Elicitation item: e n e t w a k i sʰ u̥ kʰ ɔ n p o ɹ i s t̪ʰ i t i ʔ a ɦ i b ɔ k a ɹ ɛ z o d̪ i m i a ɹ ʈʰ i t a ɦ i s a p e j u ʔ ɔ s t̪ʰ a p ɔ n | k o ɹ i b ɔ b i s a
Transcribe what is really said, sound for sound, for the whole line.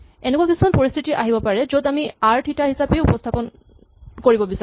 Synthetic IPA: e n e k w a k i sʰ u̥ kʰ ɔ n p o ɹ i s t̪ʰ i t i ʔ a ɦ i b ɔ p a ɹ ɛ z o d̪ a m i a ɹ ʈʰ i t a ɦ i s a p e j u p ɔ s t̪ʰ a p ɔ n | k o ɹ i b ɔ b i s a